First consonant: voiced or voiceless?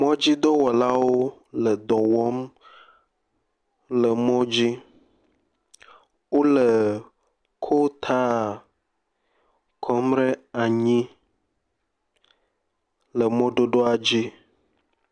voiced